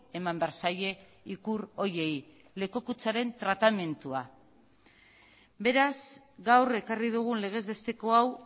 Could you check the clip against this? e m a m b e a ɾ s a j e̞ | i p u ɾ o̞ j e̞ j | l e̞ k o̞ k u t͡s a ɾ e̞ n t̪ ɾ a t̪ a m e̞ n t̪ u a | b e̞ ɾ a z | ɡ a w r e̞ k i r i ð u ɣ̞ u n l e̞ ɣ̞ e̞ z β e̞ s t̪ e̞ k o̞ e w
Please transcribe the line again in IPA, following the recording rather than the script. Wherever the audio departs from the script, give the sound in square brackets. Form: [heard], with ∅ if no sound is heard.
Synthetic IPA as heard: e m a m b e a ɾ s a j e̞ | i [k] u ɾ o̞ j e̞ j | l e̞ k o̞ k u t͡s a ɾ e̞ n t̪ ɾ a t̪ a m e̞ n t̪ u a | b e̞ ɾ a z | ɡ a w r e̞ k [a] r i ð u ɣ̞ u n l e̞ ɣ̞ e̞ z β e̞ s t̪ e̞ k o̞ [a] w